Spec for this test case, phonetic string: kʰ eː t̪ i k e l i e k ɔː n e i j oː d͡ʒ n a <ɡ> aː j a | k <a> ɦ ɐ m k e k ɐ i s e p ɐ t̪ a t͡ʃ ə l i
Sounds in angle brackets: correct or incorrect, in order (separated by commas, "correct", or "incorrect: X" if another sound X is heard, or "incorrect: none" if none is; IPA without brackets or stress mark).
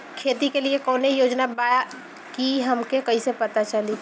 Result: incorrect: b, incorrect: i